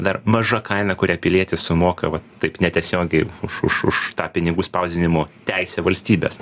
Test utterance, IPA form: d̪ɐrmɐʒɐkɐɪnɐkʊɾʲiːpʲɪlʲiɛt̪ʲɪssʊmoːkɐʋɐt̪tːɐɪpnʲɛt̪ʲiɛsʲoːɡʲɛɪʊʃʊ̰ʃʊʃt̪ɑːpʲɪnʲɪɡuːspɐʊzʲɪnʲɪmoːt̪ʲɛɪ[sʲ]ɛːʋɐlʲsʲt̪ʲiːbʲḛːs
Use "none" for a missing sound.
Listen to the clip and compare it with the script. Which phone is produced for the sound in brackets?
sʲ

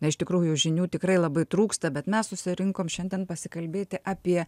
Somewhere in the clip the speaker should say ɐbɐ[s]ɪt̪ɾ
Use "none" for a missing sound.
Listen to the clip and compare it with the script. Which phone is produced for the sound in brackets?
none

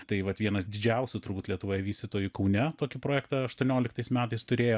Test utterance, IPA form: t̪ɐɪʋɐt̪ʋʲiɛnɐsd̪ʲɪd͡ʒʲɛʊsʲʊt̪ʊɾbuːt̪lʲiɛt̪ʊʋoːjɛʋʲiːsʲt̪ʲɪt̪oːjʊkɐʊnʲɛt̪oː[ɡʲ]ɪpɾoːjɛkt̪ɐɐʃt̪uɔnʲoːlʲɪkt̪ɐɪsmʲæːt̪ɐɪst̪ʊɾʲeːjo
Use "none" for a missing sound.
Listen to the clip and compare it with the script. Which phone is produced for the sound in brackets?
kʲ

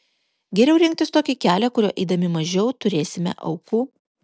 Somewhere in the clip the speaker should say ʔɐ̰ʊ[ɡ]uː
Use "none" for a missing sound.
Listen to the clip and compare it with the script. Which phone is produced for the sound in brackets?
k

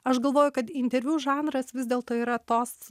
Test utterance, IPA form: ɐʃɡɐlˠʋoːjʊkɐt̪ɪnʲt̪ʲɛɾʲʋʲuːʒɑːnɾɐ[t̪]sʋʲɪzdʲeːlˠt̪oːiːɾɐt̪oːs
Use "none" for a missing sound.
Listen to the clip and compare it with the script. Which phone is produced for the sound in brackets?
none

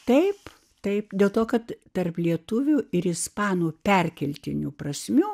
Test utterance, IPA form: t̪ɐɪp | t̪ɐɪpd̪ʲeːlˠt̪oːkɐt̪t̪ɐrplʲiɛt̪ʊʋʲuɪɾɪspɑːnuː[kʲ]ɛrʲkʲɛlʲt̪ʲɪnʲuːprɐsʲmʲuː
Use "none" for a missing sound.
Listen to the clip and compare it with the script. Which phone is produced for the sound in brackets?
pʲ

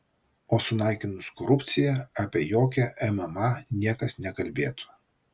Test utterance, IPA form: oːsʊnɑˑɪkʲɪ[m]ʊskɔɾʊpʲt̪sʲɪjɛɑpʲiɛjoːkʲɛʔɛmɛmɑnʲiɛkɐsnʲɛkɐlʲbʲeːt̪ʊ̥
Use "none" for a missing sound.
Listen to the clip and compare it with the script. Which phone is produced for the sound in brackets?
n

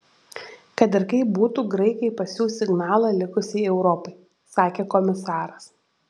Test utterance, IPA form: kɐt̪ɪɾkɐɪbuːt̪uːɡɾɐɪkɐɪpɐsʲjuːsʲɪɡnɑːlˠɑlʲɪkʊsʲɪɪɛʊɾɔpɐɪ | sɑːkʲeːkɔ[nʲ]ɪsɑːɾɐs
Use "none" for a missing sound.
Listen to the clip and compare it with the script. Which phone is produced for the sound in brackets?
mʲ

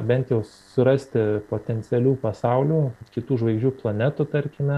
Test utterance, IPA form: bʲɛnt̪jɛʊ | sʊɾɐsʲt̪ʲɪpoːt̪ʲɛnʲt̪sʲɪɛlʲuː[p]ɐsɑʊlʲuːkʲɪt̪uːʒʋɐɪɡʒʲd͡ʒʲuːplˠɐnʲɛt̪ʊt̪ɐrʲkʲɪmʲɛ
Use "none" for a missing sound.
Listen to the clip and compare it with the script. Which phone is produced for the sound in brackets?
p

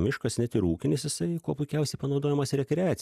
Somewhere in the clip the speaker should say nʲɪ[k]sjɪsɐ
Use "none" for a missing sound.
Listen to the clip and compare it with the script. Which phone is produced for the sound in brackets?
none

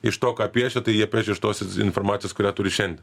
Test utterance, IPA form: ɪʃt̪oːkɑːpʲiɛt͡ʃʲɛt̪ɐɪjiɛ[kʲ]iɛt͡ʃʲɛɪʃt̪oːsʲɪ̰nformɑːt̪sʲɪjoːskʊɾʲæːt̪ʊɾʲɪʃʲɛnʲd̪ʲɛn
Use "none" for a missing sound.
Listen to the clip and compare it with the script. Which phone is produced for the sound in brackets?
pʲ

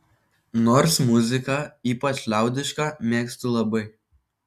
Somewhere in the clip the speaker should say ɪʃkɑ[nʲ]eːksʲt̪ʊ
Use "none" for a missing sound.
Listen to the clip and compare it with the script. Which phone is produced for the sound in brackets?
mʲ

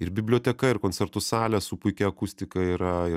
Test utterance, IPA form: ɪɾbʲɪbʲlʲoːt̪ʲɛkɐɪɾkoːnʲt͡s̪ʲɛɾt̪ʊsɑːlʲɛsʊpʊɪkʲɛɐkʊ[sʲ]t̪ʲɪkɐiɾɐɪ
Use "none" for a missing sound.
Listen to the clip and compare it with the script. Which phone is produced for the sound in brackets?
sʲ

